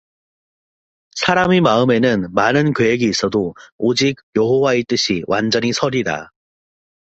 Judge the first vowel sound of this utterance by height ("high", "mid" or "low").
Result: low